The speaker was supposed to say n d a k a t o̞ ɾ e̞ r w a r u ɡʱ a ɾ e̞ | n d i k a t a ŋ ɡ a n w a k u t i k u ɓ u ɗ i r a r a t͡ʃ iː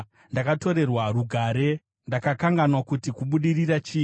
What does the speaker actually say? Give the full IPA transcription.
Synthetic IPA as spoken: n d a k a t o̞ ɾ e̞ r w a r u ɡʱ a ɾ e̞ | n d a k a k a ŋ ɡ a n w a k u t i k u ɓ u ɗ i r i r a t͡ʃ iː